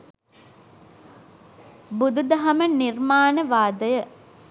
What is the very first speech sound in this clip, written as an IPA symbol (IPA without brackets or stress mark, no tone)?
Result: b